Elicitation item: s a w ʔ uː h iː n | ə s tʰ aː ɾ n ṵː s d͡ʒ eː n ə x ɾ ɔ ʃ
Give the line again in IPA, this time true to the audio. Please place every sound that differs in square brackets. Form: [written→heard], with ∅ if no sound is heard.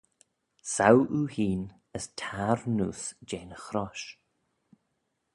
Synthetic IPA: s a w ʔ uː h iː n | ə s tʰ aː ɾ n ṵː s d͡ʒ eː n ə x ɾ ɔ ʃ